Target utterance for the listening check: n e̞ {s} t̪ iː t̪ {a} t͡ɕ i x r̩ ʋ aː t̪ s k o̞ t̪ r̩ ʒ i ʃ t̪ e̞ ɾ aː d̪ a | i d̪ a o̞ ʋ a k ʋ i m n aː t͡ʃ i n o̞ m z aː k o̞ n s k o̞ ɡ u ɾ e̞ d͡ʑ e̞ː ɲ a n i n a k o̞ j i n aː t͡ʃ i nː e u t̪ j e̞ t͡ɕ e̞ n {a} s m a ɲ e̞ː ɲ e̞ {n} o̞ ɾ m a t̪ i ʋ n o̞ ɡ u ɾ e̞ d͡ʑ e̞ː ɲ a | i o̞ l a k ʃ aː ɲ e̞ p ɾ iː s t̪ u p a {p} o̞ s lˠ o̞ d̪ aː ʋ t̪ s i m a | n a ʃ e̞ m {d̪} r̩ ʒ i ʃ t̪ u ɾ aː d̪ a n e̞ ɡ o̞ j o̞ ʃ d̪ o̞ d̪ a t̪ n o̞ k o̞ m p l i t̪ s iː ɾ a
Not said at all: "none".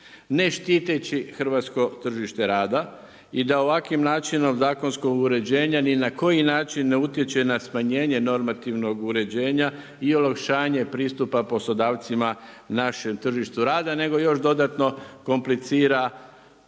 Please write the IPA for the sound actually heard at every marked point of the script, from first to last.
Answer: ʃ, e, a, n, p, t̪

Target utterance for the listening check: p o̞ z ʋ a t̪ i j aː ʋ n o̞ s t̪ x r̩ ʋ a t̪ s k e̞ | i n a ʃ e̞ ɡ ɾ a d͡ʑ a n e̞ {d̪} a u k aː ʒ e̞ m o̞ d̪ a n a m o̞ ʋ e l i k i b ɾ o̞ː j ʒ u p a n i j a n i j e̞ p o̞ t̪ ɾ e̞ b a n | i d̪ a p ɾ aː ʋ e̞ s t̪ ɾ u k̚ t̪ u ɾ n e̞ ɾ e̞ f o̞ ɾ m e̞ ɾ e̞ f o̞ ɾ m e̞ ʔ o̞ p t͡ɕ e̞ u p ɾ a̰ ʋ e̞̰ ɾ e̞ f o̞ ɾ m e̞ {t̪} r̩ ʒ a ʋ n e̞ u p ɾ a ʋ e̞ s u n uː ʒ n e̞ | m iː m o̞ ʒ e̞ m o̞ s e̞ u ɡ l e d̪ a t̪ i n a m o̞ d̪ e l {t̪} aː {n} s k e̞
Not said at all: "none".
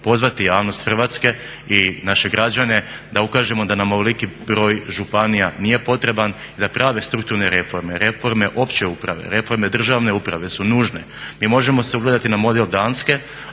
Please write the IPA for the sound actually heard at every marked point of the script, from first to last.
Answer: d̪, d̪, d̪, n

